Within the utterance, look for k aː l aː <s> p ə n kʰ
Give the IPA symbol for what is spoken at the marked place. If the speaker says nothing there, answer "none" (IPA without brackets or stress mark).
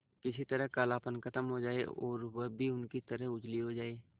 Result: none